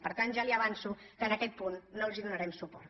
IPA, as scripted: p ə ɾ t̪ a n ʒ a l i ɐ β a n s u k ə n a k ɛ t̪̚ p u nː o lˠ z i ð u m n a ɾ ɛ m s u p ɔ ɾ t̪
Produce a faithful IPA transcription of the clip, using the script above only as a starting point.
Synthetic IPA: p ə ɾ t̪ a n ʒ a l i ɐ β a n s u k ə n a k ɛ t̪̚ p u nː o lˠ z i ð u n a ɾ ɛ m s u p ɔ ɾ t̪